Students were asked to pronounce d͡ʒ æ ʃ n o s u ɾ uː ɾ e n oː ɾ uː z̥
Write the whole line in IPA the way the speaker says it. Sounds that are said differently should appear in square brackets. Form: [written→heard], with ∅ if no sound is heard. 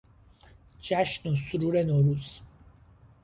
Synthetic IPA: d͡ʒ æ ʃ n o s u ɾ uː ɾ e n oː ɾ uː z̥